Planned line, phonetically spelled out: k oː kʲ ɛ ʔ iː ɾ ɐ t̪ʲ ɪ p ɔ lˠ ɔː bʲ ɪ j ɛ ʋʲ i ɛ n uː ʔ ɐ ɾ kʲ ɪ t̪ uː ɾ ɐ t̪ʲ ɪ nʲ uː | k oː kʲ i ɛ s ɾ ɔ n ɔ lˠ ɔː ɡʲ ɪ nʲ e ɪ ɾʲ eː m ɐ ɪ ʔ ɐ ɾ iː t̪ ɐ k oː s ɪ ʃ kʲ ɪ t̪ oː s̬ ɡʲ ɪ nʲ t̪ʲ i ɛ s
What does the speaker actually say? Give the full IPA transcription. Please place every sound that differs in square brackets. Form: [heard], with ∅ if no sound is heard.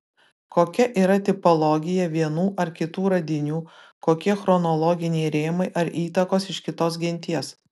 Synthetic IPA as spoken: k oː kʲ ɛ ʔ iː ɾ ɐ t̪ʲ ɪ p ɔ lˠ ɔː [ɡʲ] ɪ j ɛ ʋʲ i ɛ n uː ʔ ɐ ɾ kʲ ɪ t̪ uː ɾ ɐ [d̪ʲ] ɪ nʲ uː | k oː kʲ i ɛ [x] ɾ ɔ n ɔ lˠ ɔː ɡʲ ɪ nʲ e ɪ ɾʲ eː m ɐ ɪ ʔ ɐ ɾ iː t̪ ɐ k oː s ɪ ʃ kʲ ɪ t̪ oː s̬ ɡʲ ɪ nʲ t̪ʲ i ɛ s